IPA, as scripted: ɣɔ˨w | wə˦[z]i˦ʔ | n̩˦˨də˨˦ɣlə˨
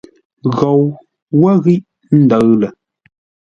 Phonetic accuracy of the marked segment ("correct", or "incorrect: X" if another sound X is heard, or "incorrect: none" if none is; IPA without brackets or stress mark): incorrect: ɣ